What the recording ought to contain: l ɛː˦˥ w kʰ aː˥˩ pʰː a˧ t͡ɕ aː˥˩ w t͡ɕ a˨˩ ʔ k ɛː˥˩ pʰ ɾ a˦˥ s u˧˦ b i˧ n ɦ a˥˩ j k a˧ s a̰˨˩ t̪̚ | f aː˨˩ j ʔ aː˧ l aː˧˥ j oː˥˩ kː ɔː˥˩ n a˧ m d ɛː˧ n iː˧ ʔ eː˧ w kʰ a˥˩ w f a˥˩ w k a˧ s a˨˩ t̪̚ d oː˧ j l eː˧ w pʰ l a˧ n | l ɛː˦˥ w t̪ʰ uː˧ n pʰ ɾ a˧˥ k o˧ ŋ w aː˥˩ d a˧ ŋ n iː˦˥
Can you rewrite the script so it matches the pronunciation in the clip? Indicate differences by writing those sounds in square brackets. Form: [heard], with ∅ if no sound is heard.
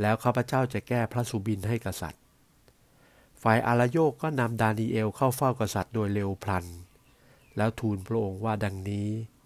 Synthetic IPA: l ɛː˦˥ w kʰ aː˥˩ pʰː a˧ t͡ɕ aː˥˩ w t͡ɕ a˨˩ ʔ k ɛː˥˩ pʰ ɾ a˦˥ s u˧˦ b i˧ n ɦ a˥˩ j k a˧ s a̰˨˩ t̪̚ | f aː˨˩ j ʔ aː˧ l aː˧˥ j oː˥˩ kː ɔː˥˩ n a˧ m d [aː˧] n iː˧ ʔ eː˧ w kʰ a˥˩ w f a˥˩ w k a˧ s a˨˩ t̪̚ d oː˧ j l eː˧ w pʰ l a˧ n | l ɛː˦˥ w t̪ʰ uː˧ n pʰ ɾ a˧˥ [ʔ] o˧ ŋ w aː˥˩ d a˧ ŋ n iː˦˥